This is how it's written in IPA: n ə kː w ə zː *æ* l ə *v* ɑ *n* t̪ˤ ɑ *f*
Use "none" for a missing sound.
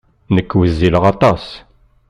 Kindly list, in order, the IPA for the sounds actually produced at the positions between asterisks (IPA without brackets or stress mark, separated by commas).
i, ʁ, none, s